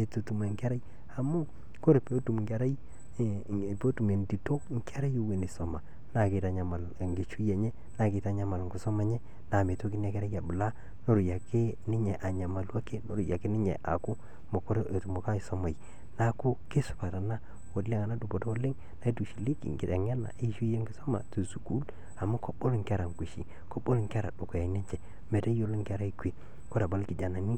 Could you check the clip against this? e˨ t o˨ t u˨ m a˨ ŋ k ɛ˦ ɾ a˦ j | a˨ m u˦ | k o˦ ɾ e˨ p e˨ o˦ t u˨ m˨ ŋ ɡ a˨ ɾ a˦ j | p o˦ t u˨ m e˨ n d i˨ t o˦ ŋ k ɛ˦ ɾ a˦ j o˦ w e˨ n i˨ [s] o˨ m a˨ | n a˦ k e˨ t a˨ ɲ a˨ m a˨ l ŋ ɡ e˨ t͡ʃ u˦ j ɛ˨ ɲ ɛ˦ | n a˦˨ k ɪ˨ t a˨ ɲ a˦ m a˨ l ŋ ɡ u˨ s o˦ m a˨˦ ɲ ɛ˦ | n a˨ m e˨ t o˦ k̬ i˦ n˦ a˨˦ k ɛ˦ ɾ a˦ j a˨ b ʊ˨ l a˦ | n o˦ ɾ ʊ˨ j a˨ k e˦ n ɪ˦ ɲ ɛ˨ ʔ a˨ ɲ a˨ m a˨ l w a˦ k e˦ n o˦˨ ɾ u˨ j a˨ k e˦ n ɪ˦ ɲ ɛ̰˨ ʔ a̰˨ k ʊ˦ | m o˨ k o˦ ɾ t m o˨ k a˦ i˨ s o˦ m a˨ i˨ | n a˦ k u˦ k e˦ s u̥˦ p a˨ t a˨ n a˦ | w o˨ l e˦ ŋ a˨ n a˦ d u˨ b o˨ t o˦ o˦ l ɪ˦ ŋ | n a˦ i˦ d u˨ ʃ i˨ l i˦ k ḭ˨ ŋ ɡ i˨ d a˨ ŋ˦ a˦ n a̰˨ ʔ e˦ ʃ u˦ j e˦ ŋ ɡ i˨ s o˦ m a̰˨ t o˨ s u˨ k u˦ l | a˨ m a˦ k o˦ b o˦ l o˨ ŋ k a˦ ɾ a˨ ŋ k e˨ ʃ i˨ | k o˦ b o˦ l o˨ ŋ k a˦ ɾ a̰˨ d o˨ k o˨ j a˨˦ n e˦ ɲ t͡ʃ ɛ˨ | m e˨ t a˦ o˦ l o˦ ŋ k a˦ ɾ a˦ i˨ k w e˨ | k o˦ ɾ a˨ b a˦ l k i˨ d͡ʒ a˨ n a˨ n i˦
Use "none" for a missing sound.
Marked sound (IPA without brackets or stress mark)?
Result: s